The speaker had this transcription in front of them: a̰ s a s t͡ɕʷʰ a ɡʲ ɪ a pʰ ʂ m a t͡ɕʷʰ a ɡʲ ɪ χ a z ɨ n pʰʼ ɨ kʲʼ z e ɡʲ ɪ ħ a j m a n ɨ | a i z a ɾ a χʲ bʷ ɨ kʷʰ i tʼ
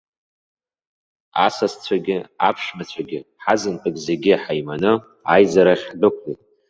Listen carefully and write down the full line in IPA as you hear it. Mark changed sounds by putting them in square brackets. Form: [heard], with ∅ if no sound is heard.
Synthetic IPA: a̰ s a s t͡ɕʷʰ a ɡʲ ɪ a pʰ ʂ m a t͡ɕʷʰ a ɡʲ ɪ [ħ] a z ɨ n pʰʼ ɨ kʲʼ z e ɡʲ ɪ ħ a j m a n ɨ | a [j] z a ɾ a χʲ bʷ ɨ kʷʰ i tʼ